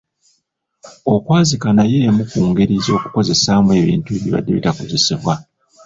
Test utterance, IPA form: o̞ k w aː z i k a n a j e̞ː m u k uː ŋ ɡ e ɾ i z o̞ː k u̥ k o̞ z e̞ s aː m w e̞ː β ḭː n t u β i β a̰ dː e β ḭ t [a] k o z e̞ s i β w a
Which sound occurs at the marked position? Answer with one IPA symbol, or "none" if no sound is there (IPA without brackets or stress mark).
a